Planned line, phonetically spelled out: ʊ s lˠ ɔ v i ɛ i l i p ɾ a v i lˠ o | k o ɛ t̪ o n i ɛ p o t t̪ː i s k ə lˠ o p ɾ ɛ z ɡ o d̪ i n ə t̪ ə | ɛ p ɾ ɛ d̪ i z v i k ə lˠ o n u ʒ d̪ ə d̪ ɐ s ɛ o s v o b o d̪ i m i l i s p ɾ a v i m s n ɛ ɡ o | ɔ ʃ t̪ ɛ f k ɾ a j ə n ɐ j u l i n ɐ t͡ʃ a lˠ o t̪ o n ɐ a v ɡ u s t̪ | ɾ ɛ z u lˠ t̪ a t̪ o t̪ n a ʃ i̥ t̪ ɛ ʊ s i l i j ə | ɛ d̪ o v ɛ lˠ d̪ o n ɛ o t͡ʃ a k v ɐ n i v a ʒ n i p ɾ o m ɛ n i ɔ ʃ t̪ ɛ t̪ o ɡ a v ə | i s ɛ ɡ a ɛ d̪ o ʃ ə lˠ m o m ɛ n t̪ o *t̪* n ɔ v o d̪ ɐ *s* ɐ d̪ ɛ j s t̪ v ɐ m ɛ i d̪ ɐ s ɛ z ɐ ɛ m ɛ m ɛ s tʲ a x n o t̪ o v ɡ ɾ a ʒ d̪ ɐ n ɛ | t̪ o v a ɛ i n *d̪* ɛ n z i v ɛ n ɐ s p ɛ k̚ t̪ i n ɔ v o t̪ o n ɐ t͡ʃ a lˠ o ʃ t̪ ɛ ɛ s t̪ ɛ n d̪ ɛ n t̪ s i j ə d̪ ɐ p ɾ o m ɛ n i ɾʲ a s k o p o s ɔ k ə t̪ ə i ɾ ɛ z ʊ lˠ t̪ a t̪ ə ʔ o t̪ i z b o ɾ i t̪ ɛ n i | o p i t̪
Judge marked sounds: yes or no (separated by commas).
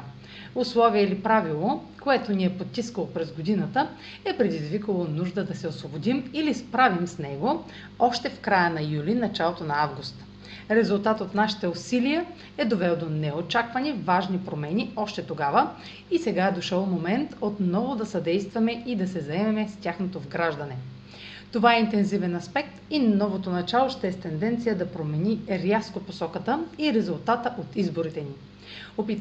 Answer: yes, yes, no